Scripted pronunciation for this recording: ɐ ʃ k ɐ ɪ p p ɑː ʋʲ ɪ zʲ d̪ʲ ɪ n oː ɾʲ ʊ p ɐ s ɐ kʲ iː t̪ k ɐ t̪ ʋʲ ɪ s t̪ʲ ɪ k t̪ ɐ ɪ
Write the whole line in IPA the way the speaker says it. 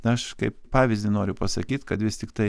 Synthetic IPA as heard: ɐ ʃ k ɐ ɪ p p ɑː ʋʲ ɪ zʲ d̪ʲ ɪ n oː ɾʲ ʊ p ɐ s ɐ kʲ iː t̪ k ɐ t̪ ʋʲ ɪ s t̪ʲ ɪ k t̪ ɐ ɪ

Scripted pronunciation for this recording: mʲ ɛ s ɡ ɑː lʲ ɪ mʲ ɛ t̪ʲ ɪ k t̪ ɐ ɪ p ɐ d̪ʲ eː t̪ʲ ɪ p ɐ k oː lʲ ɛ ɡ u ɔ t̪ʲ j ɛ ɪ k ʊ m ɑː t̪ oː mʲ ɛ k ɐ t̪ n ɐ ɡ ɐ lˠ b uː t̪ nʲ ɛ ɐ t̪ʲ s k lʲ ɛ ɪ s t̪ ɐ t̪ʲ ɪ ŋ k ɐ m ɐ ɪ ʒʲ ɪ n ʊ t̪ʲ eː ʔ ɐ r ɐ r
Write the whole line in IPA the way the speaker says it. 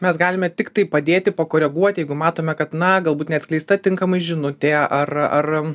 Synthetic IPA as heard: mʲ ɛ s ɡ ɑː lʲ ɪ mʲ ɛ t̪ʲ ɪ k t̪ ɐ ɪ p ɐ d̪ʲ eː t̪ʲ ɪ p ɐ k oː ɾʲ ɛ ɡ u ɔ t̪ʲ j ɛ ɪ ɡ ʊ m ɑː t̪ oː mʲ ɛ k ɐ t̪ n ɐ ɡ ɐ lˠ b uː t̪ nʲ ɛ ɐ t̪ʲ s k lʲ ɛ ɪ s t̪ ɐ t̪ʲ ɪ ŋ k ɐ m ɐ ɪ ʒʲ ɪ n ʊ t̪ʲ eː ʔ ɐ r ɐ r

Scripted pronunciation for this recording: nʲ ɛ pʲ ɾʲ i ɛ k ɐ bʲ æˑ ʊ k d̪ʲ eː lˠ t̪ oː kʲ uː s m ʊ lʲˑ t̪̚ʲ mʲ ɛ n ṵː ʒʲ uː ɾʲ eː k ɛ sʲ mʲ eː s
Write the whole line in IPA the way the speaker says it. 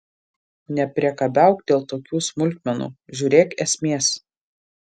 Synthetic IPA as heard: nʲ ɛ pʲ ɾʲ i ɛ k ɐ bʲ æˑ ʊ k d̪ʲ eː lˠ t̪ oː kʲ uː s m ʊ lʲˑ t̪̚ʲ mʲ ɛ n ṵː ʒʲ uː ɾʲ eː k ɛ sʲ mʲ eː s

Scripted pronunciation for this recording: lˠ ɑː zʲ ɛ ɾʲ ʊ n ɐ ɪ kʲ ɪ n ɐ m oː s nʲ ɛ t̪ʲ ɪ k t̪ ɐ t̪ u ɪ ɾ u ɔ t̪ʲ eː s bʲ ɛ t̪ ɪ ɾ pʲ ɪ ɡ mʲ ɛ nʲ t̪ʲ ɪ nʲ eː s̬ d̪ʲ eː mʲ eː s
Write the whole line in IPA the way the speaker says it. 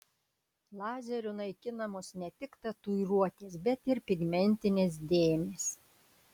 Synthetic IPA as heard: lˠ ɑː zʲ ɛ ɾʲ ʊ n ɐ ɪ kʲ ɪ n ɐ m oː s nʲ ɛ t̪ʲ ɪ k t̪ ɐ t̪ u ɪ ɾ u ɔ t̪ʲ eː s bʲ ɛ t̪ ɪ ɾ pʲ ɪ ɡ mʲ ɛ nʲ t̪ʲ ɪ nʲ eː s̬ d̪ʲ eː mʲ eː s

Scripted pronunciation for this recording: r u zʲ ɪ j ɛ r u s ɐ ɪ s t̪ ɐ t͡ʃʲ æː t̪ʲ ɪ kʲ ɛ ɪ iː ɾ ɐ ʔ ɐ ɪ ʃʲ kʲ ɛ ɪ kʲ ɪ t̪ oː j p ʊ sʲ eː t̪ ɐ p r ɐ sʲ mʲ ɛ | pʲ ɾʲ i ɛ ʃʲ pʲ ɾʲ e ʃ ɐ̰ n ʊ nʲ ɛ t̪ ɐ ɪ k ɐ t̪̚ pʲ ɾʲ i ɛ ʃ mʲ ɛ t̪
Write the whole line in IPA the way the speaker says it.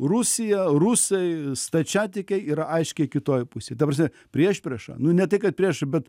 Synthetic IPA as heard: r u sʲ ɪ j ɛ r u s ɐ ɪ s t̪ ɐ t͡ʃʲ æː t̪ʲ ɪ kʲ ɛ ɪ iː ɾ ɐ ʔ ɐ ɪ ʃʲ kʲ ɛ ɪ kʲ ɪ t̪ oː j p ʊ sʲ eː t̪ ɐ p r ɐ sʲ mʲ ɛ | pʲ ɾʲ i ɛ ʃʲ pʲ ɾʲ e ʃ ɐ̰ n ʊ nʲ ɛ t̪ ɐ ɪ k ɐ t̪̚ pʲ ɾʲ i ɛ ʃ bʲ ɛ t̪

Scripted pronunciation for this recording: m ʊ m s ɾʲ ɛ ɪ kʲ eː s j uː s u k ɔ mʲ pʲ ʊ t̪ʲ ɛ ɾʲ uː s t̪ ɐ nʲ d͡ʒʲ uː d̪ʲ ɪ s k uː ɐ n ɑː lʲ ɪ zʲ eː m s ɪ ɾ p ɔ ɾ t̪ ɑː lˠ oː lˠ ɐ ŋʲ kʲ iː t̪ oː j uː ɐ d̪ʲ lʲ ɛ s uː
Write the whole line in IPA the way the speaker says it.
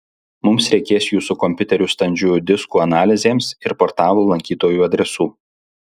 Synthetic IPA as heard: m ʊ m s ɾʲ ɛ ɪ kʲ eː s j uː s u k ɔ mʲ pʲ ʊ t̪ʲ ɛ ɾʲ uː s t̪ ɐ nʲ d͡ʒʲ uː d̪ʲ ɪ s k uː ɐ n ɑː lʲ ɪ zʲ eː m s ɪ ɾ p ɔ ɾ t̪ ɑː lˠ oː lˠ ɐ ŋʲ kʲ iː t̪ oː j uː ɐ d̪ʲ ɾʲ ɛ s uː

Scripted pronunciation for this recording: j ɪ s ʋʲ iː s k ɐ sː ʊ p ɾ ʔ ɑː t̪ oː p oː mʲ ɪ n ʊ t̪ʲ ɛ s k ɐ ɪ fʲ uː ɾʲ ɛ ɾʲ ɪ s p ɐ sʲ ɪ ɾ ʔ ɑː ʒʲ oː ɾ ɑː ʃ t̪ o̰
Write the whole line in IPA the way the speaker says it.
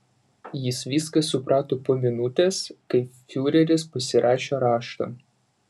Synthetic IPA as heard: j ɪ s ʋʲ iː s k ɐ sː ʊ p ɾ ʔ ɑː t̪ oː p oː mʲ ɪ n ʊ t̪ʲ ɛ s k ɐ ɪ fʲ uː ɾʲ ɛ ɾʲ ɪ s p ɐ sʲ ɪ ɾ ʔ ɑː ʃʲ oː ɾ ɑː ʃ t̪ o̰

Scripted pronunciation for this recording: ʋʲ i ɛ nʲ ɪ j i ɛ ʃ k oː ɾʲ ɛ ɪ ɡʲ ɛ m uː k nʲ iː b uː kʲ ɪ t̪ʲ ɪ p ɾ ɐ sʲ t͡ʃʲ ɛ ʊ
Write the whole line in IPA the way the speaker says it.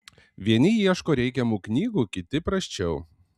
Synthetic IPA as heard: ʋʲ i ɛ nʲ ɪ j i ɛ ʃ k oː ɾʲ ɛ ɪ kʲ ɛ m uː k nʲ iː ɡ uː kʲ ɪ t̪ʲ ɪ p ɾ ɐ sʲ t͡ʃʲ ɛ ʊ

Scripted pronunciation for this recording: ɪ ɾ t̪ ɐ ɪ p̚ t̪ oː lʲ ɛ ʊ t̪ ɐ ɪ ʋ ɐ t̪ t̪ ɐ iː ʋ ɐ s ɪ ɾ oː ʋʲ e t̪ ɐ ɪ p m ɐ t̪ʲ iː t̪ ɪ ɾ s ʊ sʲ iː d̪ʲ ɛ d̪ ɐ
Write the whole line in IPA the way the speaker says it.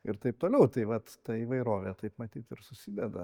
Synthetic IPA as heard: ɪ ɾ t̪ ɐ ɪ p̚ t̪ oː lʲ ɛ ʊ t̪ ɐ ɪ ʋ ɐ t̪ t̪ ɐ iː ʋ ɐ ɪ ɾ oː ʋʲ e t̪ ɐ ɪ p m ɐ t̪ʲ iː t̪ ɪ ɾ s ʊ sʲ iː d̪ʲ ɛ d̪ ɐ

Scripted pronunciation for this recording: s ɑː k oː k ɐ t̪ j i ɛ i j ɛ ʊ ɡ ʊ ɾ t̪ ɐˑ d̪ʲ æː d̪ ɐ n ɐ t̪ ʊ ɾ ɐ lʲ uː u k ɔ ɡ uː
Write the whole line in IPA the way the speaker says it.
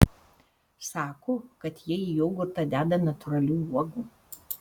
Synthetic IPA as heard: s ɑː k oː k ɐ t̪ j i ɛ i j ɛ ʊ ɡ ʊ ɾ t̪ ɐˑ d̪ʲ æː d̪ ɐ n ɐ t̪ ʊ ɾ ɐ lʲ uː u ɔ ɡ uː

